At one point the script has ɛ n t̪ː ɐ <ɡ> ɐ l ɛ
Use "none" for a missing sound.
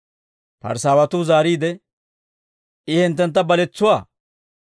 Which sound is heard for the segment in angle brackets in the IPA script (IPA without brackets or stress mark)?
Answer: b